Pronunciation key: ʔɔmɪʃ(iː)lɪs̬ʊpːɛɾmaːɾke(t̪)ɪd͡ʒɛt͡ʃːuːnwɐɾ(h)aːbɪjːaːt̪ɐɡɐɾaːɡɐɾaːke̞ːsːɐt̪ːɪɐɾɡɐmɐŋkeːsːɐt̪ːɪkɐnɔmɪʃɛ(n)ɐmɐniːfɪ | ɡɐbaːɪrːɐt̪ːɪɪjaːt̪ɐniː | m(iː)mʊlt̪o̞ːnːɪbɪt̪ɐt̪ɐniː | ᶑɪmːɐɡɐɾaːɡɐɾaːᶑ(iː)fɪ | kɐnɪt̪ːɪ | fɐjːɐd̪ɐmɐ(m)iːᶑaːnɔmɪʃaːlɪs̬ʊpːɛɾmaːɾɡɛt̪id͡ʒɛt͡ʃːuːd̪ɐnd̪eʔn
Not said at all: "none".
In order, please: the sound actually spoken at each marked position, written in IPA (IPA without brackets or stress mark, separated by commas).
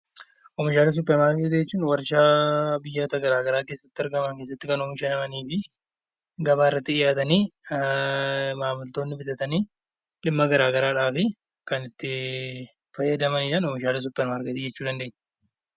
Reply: aː, t̪, ʃ, n, aː, aː, n